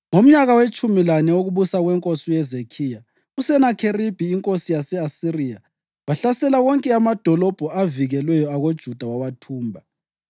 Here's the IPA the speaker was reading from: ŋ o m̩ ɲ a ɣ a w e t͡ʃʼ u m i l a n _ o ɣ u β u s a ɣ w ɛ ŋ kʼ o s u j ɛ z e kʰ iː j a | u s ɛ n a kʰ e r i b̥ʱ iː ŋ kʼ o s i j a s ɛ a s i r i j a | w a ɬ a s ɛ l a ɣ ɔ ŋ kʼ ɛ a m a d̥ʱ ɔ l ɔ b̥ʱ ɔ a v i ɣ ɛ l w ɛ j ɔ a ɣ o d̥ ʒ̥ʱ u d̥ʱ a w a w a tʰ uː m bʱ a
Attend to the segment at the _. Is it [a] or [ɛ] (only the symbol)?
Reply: ɛ